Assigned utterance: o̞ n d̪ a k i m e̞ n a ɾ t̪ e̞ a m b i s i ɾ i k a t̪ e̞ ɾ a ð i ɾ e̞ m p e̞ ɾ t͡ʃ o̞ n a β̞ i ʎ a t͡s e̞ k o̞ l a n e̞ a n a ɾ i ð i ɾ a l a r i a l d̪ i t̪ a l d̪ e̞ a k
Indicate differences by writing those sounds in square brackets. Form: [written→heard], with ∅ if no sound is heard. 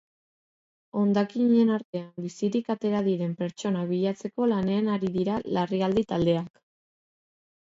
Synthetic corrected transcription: o̞ n d̪ a k i [m→ɲ] e̞ n a ɾ t̪ e̞ a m b i s i ɾ i k a t̪ e̞ ɾ a ð i ɾ e̞ m p e̞ ɾ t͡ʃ o̞ n a β̞ i ʎ a t͡s e̞ k o̞ l a n e̞ a n a ɾ i ð i ɾ a l a r i a l d̪ i t̪ a l d̪ e̞ a k

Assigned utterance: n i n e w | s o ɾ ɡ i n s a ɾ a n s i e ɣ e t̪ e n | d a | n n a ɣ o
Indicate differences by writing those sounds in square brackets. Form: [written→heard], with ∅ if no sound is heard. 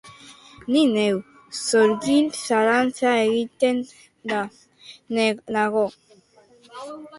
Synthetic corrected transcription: n i n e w | s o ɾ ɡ i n s a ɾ a n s [i→a] e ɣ [e→i] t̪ e n | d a | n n a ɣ o

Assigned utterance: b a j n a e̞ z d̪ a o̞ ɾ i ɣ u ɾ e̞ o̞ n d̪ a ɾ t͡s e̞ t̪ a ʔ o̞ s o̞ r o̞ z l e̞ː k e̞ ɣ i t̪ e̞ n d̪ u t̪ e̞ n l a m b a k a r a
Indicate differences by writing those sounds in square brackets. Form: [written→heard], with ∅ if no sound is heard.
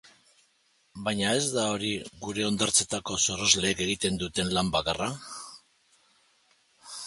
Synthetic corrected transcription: b a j [n→ɲ] a e̞ z d̪ a o̞ ɾ i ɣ u ɾ e̞ o̞ n d̪ a ɾ t͡s e̞ t̪ a [ʔ→k] o̞ s o̞ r o̞ z l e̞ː k e̞ ɣ i t̪ e̞ n d̪ u t̪ e̞ n l a m b a k a r a

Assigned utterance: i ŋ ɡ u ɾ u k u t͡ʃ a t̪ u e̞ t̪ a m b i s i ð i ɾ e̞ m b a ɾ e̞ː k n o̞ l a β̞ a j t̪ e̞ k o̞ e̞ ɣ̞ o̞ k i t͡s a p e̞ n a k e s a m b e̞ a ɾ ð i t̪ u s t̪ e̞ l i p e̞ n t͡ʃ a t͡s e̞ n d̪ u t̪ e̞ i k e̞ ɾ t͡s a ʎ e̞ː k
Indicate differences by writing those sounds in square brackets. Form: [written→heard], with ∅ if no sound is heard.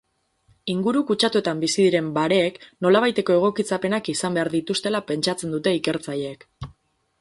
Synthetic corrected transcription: i ŋ ɡ u ɾ u k u t͡ʃ a t̪ u e̞ t̪ a m b i s i ð i ɾ e̞ m b a ɾ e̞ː k n o̞ l a β̞ a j t̪ e̞ k o̞ e̞ ɣ̞ o̞ k i t͡s a p e̞ n a k [e→i] s a m b e̞ a ɾ ð i t̪ u s t̪ e̞ l [i→a] p e̞ n t͡ʃ a t͡s e̞ n d̪ u t̪ e̞ i k e̞ ɾ t͡s a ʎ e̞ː k

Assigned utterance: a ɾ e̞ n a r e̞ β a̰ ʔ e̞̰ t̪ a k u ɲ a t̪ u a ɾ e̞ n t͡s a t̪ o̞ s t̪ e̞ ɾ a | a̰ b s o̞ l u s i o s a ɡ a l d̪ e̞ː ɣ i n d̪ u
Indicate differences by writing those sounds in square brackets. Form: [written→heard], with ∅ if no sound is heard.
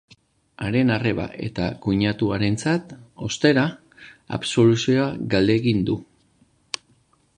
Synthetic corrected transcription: a ɾ e̞ n a r e̞ β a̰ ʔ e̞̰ t̪ a k u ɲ a t̪ u a ɾ e̞ n t͡s a t̪ o̞ s t̪ e̞ ɾ a | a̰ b s o̞ l u s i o [s→∅] a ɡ a l d̪ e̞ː ɣ i n d̪ u

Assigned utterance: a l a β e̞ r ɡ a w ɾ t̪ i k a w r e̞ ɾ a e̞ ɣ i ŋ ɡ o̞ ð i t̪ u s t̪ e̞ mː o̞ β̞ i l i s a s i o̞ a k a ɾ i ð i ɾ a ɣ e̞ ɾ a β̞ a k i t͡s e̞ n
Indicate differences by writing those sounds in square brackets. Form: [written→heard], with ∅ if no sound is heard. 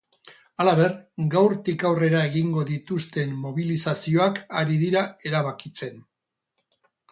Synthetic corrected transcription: a l a β e̞ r ɡ a w ɾ t̪ i k a w r e̞ ɾ a e̞ ɣ i ŋ ɡ o̞ ð i t̪ u s t̪ e̞ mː o̞ β̞ i l i s a s i o̞ a k a ɾ i ð i ɾ a [ɣ→∅] e̞ ɾ a β̞ a k i t͡s e̞ n

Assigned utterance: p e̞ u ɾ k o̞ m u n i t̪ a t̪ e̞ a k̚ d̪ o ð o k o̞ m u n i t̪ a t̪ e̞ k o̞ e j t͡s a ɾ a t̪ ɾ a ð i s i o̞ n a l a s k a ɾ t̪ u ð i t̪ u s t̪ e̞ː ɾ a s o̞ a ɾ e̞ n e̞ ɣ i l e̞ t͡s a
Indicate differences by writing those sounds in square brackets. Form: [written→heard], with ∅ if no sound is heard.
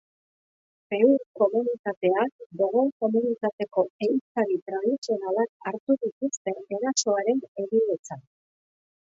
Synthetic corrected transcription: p e̞ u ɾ k o̞ m u n i t̪ a t̪ e̞ a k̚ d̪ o [ð→ɣ] o k o̞ m u n i t̪ a t̪ e̞ k o̞ e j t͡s a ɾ [a→i] t̪ ɾ a ð i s i o̞ n a l a [s→∅] k a ɾ t̪ u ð i t̪ u s t̪ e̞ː ɾ a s o̞ a ɾ e̞ n e̞ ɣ i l e̞ t͡s a

